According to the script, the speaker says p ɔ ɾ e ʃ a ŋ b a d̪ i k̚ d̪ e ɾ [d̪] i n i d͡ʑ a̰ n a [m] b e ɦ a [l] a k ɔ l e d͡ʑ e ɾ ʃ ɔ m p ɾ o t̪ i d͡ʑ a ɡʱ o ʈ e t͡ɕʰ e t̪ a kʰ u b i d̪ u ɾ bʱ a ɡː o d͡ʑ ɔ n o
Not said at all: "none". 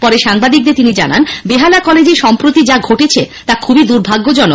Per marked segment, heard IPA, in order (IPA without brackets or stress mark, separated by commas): t̪, n, l